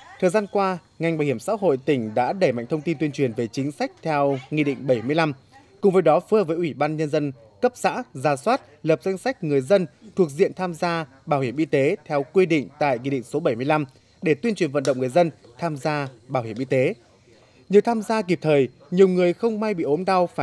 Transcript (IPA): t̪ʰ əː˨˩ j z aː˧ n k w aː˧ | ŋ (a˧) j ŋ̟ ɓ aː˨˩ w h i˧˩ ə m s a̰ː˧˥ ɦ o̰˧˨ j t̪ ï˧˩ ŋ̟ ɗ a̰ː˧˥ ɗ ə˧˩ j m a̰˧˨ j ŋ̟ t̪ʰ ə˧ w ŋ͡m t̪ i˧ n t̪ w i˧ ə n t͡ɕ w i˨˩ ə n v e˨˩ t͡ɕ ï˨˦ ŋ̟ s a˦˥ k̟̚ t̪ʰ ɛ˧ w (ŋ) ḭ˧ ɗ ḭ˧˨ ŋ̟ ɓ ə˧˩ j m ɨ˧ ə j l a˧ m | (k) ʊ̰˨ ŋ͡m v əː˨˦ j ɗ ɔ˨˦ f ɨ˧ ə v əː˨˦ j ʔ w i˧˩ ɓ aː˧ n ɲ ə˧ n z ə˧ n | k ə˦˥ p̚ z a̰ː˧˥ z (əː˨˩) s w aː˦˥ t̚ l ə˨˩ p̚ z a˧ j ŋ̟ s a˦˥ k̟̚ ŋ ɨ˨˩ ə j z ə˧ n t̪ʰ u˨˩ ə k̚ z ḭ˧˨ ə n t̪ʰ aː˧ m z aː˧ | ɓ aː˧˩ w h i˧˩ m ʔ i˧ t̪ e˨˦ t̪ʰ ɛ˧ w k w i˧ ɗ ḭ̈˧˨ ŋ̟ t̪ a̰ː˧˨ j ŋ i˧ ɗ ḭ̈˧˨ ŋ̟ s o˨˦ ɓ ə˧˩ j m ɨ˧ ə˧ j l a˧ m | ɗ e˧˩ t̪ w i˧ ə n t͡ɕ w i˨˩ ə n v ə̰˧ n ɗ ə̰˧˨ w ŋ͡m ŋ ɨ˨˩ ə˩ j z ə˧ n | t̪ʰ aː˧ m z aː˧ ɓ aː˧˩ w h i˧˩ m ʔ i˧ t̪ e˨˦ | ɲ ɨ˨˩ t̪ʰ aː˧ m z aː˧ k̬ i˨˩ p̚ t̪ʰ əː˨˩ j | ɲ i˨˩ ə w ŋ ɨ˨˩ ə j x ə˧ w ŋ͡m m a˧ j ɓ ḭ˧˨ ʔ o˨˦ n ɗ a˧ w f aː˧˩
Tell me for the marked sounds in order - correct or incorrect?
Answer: incorrect, correct, correct, incorrect

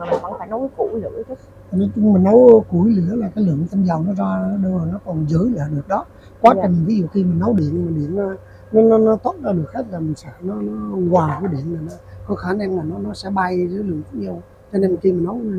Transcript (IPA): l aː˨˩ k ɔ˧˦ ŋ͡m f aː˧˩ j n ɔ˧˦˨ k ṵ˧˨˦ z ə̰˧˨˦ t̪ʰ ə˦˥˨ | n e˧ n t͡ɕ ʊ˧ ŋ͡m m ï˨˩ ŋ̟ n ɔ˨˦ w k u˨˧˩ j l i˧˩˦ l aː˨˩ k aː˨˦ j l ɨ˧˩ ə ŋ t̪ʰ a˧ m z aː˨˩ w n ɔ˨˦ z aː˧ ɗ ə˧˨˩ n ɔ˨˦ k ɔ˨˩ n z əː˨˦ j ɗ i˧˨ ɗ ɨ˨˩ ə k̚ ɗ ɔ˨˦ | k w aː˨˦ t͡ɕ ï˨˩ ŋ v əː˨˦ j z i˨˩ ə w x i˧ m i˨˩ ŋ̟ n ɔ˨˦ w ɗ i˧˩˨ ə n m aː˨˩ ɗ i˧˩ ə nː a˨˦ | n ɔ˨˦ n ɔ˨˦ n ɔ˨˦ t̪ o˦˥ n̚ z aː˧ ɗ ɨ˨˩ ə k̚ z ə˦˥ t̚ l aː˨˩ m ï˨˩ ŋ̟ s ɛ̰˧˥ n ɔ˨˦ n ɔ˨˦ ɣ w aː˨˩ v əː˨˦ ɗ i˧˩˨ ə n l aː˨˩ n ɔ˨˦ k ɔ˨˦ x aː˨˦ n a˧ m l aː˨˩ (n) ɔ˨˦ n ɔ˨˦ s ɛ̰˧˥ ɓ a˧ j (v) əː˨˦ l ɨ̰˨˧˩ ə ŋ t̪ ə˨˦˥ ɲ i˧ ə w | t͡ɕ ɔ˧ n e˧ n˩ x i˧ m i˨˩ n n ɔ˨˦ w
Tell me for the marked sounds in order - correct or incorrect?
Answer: correct, incorrect

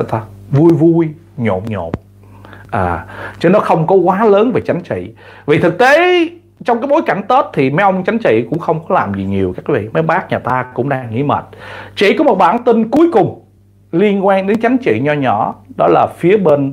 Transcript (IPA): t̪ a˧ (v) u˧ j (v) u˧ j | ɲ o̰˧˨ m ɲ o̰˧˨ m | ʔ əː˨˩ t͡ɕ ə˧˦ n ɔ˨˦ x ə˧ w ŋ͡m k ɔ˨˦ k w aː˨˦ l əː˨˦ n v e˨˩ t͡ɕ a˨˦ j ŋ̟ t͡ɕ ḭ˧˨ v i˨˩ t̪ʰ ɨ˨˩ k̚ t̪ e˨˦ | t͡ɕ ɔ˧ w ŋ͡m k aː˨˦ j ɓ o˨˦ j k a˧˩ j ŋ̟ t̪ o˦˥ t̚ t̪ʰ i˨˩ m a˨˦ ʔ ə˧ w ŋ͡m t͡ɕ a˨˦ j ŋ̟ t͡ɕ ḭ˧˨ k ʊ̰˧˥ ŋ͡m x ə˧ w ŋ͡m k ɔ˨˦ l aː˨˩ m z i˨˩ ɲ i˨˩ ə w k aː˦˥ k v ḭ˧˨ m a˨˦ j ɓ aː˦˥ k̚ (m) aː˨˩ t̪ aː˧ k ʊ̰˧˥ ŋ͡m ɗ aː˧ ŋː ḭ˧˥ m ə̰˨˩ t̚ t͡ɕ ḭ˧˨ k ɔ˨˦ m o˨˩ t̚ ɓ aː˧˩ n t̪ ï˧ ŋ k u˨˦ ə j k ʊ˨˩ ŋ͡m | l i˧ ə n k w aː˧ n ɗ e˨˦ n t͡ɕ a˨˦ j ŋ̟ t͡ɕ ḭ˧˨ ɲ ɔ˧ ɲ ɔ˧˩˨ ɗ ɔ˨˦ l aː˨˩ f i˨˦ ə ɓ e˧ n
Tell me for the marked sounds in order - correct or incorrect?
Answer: correct, correct, incorrect

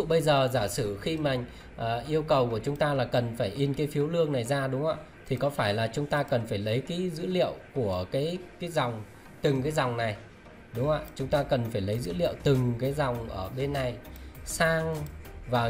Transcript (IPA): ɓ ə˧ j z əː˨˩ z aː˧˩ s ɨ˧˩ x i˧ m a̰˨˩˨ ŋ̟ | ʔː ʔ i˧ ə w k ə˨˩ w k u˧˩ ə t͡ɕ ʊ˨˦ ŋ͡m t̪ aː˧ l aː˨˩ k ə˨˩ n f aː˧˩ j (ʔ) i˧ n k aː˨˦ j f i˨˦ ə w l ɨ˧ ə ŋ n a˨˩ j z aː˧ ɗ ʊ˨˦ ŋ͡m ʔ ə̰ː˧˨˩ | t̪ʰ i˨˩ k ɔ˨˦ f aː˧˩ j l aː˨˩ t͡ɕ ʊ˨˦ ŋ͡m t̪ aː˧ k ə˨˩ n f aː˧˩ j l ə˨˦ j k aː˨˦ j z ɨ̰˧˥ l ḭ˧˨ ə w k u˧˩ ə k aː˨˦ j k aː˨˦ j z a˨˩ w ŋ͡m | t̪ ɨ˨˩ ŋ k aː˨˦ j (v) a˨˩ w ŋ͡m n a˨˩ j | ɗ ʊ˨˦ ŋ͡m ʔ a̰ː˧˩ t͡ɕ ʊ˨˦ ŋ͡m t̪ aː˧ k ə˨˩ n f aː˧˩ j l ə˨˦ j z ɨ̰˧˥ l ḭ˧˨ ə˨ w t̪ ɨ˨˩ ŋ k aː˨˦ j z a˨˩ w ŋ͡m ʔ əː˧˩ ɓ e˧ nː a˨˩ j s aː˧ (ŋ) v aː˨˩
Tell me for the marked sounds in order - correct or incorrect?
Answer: correct, incorrect, correct

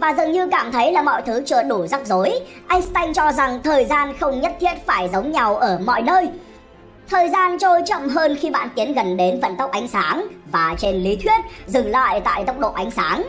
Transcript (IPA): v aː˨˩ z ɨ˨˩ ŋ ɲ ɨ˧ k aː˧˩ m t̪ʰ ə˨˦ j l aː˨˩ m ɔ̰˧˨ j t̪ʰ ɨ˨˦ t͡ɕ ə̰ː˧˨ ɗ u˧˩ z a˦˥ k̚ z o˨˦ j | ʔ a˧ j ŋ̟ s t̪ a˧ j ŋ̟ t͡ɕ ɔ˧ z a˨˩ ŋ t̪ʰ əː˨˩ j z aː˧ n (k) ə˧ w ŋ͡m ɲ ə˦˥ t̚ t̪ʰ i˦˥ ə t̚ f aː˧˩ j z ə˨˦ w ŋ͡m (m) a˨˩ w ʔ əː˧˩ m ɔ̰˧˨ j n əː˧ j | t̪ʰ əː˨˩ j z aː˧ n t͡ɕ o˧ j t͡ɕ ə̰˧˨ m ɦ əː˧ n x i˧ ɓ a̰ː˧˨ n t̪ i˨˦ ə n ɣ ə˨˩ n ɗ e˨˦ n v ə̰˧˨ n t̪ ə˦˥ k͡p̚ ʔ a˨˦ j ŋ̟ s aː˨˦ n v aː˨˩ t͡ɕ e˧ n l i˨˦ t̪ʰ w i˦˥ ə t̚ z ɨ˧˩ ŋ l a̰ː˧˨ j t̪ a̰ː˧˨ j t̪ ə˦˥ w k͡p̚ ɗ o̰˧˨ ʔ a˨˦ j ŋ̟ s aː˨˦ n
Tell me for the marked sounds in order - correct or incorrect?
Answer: incorrect, incorrect

